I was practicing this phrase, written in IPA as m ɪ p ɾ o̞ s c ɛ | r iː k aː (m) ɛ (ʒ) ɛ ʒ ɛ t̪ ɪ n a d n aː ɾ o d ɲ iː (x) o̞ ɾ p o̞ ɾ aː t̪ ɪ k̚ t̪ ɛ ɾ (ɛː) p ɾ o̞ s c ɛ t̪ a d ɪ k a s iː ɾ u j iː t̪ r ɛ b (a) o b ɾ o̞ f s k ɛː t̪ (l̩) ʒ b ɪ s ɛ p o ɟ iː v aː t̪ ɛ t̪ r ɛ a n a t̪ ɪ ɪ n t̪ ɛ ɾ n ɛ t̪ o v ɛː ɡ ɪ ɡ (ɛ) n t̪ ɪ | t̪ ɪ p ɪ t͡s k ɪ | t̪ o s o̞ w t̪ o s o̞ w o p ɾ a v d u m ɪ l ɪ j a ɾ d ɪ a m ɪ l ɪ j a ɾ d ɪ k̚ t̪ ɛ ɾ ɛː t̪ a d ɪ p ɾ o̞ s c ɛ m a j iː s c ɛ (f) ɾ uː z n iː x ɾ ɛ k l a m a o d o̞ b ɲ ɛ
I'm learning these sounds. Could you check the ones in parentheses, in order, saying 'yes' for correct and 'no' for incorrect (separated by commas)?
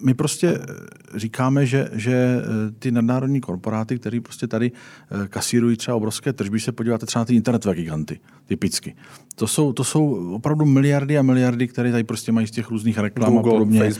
yes, yes, no, no, yes, no, no, no